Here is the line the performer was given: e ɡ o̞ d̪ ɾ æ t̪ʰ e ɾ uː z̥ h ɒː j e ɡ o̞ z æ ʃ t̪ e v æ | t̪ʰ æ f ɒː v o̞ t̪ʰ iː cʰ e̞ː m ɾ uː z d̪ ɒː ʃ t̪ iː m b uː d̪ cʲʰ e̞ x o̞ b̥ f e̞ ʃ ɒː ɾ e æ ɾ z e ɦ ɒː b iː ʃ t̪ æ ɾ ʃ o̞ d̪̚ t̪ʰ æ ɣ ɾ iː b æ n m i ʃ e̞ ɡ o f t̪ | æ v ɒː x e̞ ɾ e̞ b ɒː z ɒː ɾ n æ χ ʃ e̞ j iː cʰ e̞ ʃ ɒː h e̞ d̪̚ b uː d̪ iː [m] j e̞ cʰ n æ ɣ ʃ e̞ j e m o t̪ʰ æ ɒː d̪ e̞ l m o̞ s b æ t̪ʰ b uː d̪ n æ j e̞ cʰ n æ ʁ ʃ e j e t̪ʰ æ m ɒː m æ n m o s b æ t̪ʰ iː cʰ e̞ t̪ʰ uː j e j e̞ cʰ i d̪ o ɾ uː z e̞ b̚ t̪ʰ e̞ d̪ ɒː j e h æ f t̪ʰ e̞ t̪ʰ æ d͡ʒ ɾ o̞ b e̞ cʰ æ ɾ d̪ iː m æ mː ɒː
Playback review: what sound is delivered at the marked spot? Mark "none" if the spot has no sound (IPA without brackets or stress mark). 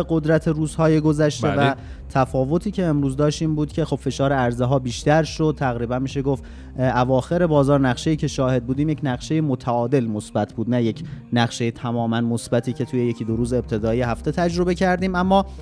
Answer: m